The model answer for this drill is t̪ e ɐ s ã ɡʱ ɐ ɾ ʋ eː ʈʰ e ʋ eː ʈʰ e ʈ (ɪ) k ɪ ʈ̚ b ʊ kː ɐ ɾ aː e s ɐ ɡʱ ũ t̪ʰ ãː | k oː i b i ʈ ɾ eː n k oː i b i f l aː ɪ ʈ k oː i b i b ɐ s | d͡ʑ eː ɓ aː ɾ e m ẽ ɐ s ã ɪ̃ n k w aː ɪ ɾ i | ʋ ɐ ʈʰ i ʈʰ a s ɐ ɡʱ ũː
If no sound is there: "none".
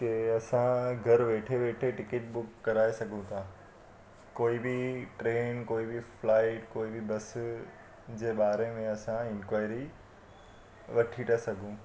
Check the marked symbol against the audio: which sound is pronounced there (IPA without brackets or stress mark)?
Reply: ɪ